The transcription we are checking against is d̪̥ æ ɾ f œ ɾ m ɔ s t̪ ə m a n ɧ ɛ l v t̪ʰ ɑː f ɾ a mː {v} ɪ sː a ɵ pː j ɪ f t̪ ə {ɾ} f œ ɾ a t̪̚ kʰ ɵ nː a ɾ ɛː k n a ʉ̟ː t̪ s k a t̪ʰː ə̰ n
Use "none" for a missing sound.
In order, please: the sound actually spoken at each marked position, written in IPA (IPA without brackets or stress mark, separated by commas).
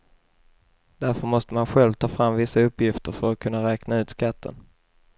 v, ɾ